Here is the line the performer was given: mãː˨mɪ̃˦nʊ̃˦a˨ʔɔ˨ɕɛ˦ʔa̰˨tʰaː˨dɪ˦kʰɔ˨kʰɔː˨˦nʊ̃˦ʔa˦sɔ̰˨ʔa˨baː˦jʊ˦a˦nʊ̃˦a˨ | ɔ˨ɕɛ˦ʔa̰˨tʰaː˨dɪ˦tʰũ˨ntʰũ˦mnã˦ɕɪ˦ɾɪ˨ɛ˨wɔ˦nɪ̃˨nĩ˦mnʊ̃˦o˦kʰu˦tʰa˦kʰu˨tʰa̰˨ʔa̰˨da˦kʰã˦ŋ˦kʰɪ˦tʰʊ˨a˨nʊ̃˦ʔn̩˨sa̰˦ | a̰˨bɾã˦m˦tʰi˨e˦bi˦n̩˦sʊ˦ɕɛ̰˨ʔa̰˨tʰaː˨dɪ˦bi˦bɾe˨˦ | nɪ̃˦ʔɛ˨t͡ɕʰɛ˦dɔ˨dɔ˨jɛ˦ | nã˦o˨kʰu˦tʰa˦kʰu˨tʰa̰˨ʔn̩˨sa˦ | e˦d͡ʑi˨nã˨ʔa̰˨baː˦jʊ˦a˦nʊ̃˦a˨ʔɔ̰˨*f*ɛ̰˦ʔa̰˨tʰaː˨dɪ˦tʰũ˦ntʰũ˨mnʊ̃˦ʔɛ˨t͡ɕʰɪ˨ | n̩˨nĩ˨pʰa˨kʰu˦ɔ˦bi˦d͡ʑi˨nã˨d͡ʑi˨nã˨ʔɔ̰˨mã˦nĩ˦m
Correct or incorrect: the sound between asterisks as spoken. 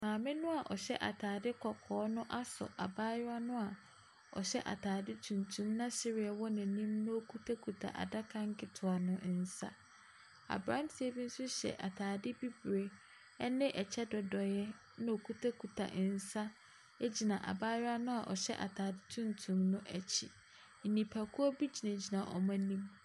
incorrect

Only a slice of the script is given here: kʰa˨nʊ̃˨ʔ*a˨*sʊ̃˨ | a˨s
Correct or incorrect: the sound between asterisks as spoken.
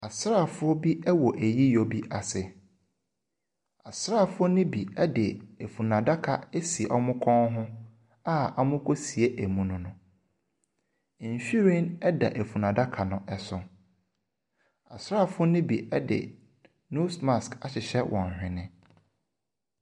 incorrect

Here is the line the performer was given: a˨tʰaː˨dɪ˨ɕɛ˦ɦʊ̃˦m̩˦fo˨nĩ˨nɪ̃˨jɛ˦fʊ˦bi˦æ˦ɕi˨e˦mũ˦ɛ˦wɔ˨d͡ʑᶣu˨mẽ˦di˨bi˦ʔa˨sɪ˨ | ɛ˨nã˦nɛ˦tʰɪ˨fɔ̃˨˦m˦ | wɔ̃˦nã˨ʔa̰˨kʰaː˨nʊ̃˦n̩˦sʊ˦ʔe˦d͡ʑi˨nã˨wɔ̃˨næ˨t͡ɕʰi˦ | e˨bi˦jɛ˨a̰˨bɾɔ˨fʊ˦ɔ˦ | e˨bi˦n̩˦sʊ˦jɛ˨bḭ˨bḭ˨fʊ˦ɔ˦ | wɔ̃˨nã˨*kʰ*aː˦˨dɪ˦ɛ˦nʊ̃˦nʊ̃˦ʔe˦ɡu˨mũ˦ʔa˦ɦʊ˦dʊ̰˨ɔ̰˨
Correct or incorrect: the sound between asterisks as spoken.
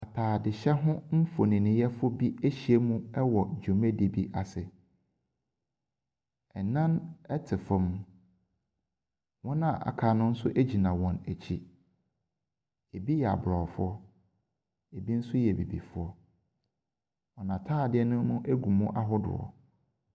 incorrect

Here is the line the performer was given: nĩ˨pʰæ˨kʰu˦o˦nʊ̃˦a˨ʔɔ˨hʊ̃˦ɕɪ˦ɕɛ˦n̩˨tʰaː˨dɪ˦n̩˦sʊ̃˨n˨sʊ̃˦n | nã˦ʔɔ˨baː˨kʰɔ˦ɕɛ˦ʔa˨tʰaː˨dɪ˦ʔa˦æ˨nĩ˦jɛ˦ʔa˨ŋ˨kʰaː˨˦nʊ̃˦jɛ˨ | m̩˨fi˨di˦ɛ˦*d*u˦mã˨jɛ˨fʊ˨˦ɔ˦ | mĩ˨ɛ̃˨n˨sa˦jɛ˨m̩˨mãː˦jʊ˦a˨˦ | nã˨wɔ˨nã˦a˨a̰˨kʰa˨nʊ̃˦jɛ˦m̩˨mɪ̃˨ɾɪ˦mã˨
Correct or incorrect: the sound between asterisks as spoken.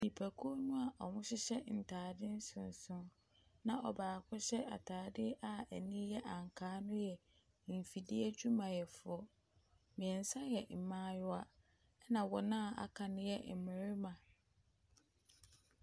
incorrect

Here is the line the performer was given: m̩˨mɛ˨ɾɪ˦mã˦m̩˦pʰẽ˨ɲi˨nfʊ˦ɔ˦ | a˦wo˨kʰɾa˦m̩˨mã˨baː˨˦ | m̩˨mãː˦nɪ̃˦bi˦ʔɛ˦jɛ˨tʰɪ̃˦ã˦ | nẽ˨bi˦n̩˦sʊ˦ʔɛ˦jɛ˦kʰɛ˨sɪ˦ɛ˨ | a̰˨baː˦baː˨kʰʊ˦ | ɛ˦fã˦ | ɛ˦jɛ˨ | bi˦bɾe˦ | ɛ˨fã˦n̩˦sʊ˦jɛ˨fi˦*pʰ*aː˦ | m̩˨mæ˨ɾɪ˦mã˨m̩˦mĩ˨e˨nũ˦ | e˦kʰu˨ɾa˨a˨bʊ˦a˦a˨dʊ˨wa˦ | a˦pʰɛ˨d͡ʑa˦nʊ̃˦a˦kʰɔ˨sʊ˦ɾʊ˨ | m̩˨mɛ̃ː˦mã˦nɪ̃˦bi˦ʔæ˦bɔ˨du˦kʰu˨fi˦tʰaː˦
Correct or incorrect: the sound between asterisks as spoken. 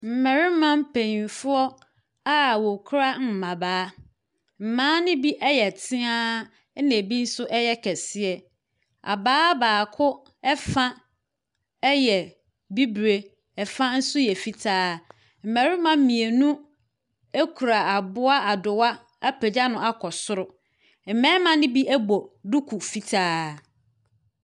incorrect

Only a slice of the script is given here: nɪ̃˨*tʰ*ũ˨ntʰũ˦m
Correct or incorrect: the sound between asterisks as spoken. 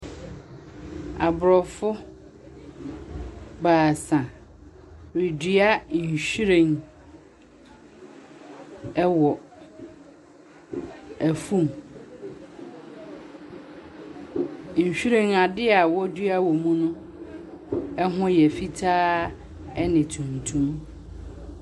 correct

